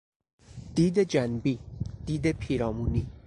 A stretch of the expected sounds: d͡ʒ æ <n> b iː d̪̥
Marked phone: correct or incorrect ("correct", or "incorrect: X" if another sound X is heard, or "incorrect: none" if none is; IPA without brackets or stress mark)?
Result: correct